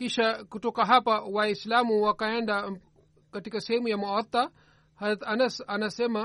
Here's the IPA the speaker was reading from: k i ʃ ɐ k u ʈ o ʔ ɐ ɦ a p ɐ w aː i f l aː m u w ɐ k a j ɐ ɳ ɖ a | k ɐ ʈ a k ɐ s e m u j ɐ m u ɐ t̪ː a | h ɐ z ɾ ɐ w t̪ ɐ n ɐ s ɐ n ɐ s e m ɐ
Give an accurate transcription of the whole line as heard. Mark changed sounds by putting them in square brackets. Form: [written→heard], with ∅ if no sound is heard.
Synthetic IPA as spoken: k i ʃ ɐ k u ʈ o [ʔ→k] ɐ ɦ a p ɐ w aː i [f→s] l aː m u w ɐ k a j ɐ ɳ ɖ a | k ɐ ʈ [a→i] k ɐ s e m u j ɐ m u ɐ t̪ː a | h ɐ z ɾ ɐ [w→∅] t̪ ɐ n ɐ s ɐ n ɐ s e m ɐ